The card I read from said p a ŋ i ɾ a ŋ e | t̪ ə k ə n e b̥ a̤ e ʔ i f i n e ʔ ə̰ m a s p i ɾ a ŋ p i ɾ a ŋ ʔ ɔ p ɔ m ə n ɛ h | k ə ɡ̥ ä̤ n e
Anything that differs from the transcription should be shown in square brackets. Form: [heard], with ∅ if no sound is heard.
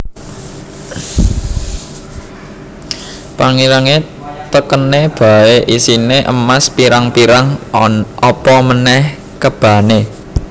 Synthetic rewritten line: p a ŋ i ɾ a ŋ e | t̪ ə k ə n e b̥ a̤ e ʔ i [s] i n e ʔ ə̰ m a s p i ɾ a ŋ p i ɾ a ŋ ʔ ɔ p ɔ m ə n ɛ h | k ə [b̥] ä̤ n e